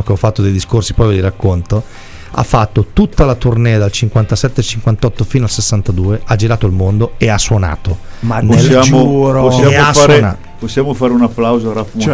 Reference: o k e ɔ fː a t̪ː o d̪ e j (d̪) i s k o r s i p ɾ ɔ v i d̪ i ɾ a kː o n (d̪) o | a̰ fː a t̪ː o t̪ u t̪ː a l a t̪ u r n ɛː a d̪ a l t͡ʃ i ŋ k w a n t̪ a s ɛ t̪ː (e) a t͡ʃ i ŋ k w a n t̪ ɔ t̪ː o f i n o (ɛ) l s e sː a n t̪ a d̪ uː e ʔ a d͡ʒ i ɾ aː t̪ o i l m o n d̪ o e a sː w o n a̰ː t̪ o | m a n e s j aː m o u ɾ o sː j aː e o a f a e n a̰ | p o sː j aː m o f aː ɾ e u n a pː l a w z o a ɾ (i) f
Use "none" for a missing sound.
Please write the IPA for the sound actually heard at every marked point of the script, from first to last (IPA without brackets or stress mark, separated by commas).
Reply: d̪, t̪, e, a, a